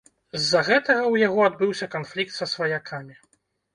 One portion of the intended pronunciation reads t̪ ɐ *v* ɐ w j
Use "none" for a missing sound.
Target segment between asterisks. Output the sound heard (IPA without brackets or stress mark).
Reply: ɣ